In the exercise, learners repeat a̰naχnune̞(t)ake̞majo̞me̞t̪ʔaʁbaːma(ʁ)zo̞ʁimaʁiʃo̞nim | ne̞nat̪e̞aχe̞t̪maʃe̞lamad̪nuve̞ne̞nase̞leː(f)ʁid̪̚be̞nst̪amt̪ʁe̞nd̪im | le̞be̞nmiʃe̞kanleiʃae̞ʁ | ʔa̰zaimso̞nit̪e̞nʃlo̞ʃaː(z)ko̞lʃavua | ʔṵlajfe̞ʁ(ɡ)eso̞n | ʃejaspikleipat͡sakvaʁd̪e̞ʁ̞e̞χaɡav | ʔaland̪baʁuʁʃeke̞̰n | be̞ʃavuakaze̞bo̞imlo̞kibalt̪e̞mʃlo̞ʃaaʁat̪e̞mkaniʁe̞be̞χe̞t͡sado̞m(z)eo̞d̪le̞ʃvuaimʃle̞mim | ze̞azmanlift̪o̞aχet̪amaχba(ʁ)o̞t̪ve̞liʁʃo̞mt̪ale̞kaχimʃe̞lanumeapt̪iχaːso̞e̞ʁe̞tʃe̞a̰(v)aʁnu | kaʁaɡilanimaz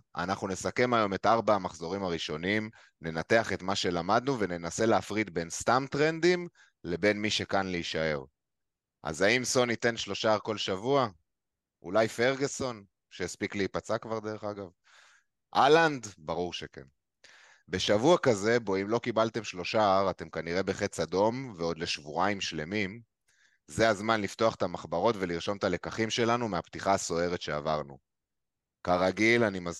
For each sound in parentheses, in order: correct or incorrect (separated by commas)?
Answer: incorrect, incorrect, correct, incorrect, correct, incorrect, correct, correct